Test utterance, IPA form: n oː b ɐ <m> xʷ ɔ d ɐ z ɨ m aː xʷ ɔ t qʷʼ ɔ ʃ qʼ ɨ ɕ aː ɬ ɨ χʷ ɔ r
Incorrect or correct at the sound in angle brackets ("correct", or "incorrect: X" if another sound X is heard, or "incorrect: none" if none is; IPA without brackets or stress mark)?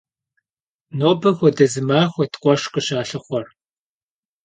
incorrect: none